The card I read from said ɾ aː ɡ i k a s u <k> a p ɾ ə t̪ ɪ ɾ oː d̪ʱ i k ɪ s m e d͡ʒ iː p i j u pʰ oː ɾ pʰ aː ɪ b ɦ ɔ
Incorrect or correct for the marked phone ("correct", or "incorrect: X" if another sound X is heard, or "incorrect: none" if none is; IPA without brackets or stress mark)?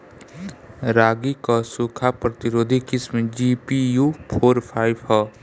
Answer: incorrect: kʰ